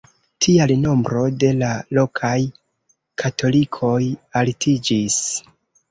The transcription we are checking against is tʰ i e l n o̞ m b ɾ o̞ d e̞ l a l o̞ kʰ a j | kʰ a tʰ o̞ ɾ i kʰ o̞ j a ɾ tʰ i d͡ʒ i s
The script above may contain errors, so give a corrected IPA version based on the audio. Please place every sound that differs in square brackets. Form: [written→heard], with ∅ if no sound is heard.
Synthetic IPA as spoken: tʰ i [e→a] l n o̞ m b ɾ o̞ d e̞ l a l o̞ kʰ a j | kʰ a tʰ o̞ [ɾ→l] i kʰ o̞ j a [ɾ→l] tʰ i d͡ʒ i s